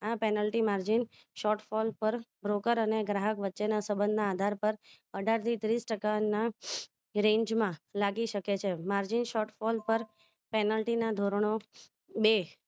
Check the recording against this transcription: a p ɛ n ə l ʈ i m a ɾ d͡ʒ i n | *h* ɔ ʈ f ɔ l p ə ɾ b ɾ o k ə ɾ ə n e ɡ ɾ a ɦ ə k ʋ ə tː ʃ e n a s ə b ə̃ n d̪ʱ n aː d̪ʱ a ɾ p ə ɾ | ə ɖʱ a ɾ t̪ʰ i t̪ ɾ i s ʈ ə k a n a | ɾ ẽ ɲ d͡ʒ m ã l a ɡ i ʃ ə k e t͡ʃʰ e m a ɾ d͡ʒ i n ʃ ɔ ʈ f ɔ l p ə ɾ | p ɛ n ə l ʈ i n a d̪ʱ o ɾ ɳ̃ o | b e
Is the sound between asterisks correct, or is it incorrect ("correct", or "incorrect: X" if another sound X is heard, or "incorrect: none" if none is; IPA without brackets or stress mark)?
incorrect: ʃ